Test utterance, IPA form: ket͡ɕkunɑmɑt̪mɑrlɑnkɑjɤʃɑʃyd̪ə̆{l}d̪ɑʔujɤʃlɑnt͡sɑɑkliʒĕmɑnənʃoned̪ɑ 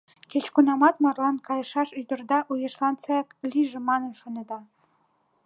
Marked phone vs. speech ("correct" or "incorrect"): incorrect